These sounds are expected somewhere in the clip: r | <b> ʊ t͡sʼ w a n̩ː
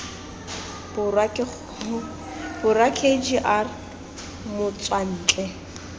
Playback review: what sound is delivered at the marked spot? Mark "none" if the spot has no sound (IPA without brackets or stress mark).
m